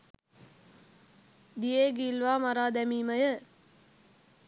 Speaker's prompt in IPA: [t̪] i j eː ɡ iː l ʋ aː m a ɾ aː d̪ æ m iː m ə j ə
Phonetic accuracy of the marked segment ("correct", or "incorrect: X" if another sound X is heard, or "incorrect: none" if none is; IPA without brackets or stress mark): incorrect: d̪